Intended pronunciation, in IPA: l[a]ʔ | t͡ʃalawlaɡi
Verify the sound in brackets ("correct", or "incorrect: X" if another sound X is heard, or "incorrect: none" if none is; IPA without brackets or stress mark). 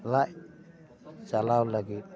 correct